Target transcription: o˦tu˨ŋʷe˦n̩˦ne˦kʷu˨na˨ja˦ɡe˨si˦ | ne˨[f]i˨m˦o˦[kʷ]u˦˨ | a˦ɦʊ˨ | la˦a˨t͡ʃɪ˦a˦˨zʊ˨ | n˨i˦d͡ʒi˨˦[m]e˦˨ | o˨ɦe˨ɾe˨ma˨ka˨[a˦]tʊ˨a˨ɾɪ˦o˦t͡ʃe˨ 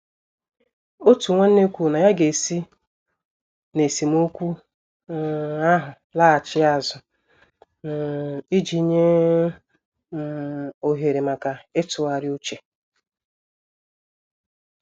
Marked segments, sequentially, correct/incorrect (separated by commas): incorrect, correct, incorrect, incorrect